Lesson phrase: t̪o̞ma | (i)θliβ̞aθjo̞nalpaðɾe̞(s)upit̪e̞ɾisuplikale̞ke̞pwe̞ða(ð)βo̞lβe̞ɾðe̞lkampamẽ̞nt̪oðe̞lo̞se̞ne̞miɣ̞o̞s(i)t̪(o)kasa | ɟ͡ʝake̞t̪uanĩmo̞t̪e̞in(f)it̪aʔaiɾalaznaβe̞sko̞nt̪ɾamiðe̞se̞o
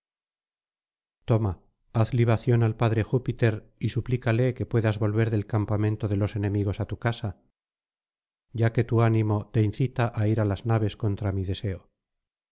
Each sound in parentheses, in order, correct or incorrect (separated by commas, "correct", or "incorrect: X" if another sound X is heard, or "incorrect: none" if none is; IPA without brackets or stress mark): incorrect: a, incorrect: x, incorrect: z, incorrect: a, incorrect: u, incorrect: θ